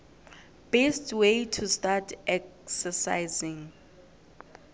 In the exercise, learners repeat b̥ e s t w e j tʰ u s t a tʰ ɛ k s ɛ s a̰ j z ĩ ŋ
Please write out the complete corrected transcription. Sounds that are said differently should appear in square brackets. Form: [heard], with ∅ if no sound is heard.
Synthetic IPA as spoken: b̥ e s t w e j tʰ u s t a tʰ ɛ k s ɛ s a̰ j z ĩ ŋ

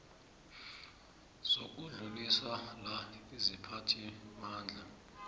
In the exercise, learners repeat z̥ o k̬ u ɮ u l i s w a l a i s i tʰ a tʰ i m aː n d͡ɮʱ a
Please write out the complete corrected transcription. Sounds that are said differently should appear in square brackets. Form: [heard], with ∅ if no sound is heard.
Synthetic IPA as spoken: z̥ o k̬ u ɮ u l i s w a l a i [z] i [pʰ] a tʰ i m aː n d͡ɮʱ a

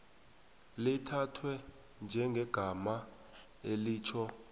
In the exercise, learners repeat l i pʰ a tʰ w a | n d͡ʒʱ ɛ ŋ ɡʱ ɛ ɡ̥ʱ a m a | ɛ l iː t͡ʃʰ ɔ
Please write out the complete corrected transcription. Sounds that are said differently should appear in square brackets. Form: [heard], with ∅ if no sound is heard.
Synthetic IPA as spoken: l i [tʰ] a tʰ w [ɛ] | n d͡ʒʱ ɛ ŋ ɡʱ ɛ ɡ̥ʱ a m a | [e] l iː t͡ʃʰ ɔ

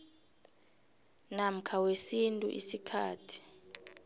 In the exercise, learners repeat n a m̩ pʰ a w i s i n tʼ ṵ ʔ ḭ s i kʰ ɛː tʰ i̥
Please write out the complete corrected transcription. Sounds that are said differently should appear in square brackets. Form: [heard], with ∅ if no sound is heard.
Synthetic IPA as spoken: n a m̩ [kʰ] a w [e] s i n tʼ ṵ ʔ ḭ s i kʰ [aː] tʰ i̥

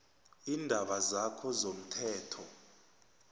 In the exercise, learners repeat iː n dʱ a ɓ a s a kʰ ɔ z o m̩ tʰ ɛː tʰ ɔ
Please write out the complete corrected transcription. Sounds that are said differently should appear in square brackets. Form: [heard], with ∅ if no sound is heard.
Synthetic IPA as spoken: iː n dʱ a ɓ a [z] a kʰ ɔ z o m̩ tʰ ɛː tʰ ɔ

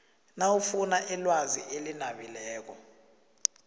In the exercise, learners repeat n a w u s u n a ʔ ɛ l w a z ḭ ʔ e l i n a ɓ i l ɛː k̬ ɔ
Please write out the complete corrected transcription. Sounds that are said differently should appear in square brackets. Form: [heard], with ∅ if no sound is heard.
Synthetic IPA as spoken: n a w u [f] u n a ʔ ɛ l w a z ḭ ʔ e l i n a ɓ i l ɛː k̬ ɔ

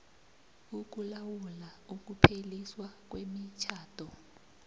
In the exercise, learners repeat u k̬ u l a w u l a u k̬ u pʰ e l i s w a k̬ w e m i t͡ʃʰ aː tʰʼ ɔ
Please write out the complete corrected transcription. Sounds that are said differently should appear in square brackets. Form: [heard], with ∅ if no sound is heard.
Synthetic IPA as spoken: u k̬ u l a w u l a u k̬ u pʰ e l i s w a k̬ w e m i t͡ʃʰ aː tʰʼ ɔ

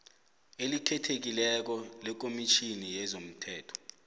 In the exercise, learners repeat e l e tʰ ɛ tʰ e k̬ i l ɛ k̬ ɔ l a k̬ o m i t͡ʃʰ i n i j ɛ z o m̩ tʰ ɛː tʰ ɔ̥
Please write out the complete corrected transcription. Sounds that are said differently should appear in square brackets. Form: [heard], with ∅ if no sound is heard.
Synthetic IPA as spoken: e l [i] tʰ ɛ tʰ e k̬ i l ɛ k̬ ɔ l [ɛ] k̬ o m i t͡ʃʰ i n i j ɛ z o m̩ tʰ ɛː tʰ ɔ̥

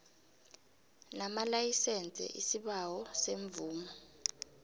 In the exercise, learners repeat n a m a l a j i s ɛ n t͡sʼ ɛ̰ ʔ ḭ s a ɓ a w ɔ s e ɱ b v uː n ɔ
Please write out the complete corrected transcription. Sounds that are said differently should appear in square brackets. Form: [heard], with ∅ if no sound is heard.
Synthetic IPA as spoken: n a m a l a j i s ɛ n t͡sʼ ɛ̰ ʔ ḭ s [i] ɓ a w ɔ s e ɱ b v uː [m] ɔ

